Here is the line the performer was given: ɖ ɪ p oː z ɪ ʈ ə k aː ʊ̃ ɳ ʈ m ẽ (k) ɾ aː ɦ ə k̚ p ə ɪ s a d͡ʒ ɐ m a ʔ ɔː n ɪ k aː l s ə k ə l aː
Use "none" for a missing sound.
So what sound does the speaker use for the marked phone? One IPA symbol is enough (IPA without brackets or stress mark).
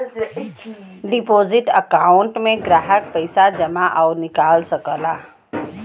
ɡ